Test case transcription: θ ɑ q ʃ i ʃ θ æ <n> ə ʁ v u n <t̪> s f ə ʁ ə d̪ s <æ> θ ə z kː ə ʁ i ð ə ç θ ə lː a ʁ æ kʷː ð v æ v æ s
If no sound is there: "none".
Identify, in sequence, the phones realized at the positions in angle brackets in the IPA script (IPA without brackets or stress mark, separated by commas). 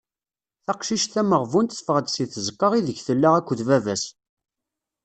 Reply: m, t̪, i